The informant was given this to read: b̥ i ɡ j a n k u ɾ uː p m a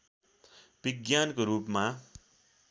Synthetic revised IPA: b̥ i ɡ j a n k o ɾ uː p m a